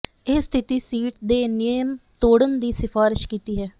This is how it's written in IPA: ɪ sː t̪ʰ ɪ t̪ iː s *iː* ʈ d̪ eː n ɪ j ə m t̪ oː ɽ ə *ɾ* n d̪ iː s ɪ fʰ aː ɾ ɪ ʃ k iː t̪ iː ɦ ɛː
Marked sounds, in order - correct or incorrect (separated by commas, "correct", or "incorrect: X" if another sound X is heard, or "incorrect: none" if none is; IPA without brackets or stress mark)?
correct, incorrect: none